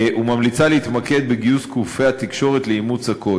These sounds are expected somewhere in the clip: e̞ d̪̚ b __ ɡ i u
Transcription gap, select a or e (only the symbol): e